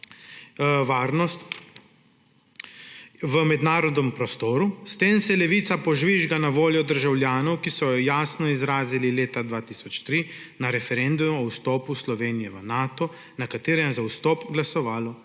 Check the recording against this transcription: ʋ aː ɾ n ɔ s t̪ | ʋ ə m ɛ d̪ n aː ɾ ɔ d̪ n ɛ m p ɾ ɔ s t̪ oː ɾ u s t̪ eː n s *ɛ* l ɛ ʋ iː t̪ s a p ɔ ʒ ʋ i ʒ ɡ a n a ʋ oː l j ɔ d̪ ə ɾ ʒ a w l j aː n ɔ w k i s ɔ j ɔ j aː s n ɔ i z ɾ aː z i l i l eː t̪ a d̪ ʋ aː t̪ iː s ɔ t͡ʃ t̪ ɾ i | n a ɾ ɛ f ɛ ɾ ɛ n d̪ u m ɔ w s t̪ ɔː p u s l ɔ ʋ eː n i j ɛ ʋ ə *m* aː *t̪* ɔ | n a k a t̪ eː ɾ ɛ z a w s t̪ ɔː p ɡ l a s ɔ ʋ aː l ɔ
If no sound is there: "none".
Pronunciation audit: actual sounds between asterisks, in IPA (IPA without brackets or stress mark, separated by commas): ɛ, n, t̪